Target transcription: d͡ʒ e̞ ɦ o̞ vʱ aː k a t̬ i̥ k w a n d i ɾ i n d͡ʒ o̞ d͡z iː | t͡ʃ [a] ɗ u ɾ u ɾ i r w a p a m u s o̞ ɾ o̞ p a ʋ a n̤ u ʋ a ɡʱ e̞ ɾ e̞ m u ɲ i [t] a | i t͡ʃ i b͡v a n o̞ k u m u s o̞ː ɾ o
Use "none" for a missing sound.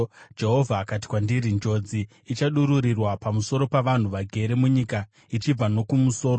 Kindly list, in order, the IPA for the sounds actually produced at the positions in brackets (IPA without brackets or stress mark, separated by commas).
a, k